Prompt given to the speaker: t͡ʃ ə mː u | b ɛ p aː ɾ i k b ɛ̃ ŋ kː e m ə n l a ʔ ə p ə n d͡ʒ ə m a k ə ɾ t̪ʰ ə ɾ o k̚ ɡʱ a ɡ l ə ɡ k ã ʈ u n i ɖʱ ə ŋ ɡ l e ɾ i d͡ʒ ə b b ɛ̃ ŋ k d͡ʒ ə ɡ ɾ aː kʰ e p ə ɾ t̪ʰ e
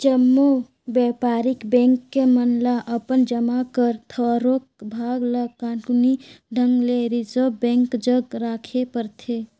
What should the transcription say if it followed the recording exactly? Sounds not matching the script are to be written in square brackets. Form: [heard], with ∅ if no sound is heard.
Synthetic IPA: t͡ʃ ə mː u | b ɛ p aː ɾ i k b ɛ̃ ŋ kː e m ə n l a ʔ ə p ə n d͡ʒ ə m a k ə ɾ t̪ʰ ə ɾ o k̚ [bʱ] a ɡ l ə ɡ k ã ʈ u n i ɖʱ ə ŋ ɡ l e ɾ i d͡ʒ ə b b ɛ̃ ŋ k d͡ʒ ə ɡ ɾ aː kʰ e p ə ɾ t̪ʰ e